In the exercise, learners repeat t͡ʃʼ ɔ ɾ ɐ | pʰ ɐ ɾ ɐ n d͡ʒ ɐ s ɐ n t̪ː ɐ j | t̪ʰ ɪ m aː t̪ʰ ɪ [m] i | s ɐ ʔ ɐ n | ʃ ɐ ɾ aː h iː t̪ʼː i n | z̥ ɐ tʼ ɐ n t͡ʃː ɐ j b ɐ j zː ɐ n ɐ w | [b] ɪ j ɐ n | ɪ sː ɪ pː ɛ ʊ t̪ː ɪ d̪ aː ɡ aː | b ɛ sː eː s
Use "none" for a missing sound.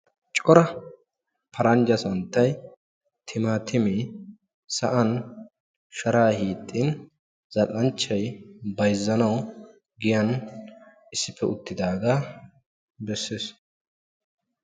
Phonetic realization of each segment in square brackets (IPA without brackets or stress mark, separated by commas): m, ɡ